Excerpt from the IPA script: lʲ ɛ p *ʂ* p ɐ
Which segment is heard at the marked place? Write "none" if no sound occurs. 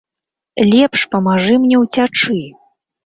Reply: ʂ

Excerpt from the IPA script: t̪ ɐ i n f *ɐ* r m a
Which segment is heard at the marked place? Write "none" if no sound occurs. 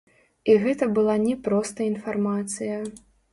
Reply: a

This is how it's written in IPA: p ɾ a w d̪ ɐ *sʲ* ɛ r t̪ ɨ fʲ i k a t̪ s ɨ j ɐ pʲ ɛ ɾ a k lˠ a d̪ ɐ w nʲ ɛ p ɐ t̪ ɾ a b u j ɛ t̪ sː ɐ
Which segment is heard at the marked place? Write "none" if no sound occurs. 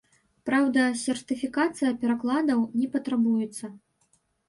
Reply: sʲ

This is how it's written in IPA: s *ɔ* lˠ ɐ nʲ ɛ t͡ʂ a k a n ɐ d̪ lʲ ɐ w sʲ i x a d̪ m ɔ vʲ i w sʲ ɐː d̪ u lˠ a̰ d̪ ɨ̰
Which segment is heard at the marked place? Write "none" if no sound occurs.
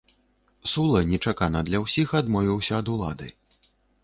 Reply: u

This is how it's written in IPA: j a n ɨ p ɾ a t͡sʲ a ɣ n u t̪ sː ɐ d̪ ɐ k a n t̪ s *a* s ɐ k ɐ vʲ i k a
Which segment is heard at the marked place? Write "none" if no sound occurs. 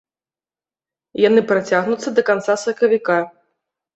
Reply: a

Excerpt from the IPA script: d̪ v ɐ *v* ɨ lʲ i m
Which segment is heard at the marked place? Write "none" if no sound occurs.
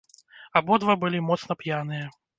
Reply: b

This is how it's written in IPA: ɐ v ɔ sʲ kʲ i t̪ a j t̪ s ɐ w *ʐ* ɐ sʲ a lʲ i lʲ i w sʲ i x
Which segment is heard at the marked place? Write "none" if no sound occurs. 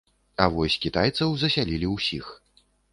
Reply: z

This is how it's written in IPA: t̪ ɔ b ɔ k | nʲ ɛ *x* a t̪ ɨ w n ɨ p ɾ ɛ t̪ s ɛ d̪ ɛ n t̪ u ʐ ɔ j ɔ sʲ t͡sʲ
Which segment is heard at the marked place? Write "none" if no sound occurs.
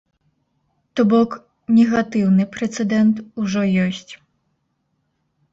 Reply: ɣ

